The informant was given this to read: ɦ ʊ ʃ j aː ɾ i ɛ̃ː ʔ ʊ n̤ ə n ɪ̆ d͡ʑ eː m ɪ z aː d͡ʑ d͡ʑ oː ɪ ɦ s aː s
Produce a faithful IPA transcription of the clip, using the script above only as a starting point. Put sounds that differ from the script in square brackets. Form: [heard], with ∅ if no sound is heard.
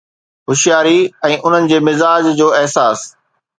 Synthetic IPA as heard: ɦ ʊ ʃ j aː ɾ i ɛ̃ː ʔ ʊ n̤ ə n ɪ̆ d͡ʑ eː m ɪ z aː d͡ʑ d͡ʑ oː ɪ ɦ s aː s